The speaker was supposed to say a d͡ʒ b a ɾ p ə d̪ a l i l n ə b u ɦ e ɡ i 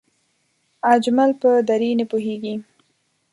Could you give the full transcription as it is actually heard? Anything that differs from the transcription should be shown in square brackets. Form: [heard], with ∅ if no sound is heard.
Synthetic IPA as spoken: a d͡ʒ [m] a [l] p ə d̪ a [ɾ] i [∅] n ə [p] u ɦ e ɡ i

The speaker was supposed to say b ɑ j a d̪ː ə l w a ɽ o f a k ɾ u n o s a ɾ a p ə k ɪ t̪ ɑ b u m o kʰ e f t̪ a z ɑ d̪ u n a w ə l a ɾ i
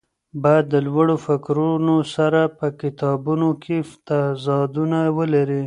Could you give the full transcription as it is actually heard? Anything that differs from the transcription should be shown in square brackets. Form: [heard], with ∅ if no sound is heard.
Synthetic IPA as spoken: b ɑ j a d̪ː ə l w a ɽ o f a k ɾ u n o s a ɾ a p ə k ɪ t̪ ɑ b u [n] o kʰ e f t̪ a z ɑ d̪ u n a w ə l a ɾ i

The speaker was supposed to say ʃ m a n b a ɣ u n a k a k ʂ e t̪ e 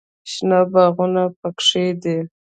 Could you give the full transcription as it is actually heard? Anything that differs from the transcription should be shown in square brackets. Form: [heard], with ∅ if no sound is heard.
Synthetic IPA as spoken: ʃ [n] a [∅] b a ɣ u n a [p] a k ʂ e [d̪] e

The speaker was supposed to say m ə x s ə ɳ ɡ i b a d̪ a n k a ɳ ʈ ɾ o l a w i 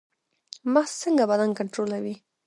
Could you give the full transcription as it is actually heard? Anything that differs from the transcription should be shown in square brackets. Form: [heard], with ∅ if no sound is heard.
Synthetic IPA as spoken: m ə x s ə [ŋ] ɡ [a] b a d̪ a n k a ɳ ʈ ɾ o l a w i

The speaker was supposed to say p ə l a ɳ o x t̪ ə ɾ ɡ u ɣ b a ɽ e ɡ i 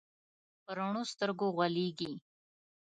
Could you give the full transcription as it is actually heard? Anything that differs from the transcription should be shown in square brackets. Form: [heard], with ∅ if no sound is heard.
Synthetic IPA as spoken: p ə [ɾ] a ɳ o [s] t̪ ə ɾ ɡ [o] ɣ [w] a [l] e ɡ i

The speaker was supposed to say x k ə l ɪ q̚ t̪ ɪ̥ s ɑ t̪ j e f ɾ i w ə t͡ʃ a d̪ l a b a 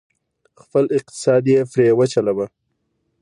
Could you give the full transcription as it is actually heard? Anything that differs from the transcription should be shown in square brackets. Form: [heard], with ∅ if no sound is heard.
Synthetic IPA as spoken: x [p] ə l ɪ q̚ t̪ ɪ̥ s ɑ [d̪] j e f ɾ [e] w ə t͡ʃ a [∅] l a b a

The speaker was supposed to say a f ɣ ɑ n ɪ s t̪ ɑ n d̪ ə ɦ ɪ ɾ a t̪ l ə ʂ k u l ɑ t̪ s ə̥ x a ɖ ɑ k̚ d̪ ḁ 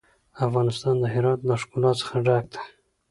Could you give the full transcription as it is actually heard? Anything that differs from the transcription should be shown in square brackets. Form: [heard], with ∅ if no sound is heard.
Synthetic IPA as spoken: a f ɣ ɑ n ɪ s t̪ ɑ n d̪ ə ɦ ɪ ɾ [ɑ] t̪ l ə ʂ k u l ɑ t̪ s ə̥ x a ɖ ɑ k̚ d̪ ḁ

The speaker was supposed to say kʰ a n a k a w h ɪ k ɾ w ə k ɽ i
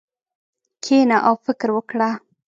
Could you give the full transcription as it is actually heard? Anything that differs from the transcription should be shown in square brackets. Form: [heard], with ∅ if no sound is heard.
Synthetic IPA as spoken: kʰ [e] n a [ʔ] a w [f] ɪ k ɾ w ə k ɽ [a]

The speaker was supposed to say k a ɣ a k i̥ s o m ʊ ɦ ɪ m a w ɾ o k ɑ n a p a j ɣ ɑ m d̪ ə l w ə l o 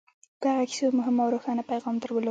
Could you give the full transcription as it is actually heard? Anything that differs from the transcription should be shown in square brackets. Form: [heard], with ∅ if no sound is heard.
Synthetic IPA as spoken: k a ɣ a k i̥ s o m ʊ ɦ ɪ m a w ɾ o [x] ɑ n a p a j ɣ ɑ m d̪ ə [ɾ] w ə l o

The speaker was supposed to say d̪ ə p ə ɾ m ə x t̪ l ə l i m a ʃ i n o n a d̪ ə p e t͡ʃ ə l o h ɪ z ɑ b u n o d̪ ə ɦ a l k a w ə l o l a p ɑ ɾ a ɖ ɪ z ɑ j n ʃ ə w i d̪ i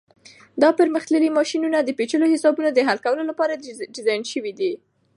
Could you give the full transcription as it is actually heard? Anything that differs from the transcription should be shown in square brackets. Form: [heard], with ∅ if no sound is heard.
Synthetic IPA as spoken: d̪ [ɑ] p ə ɾ m ə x t̪ l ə l i m [ɑ] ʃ i n [u] n a d̪ ə p e t͡ʃ ə l o h ɪ [s] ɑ b u n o d̪ ə ɦ a l k a w ə l o l a p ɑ ɾ a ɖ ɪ z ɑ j n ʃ ə w i d̪ i

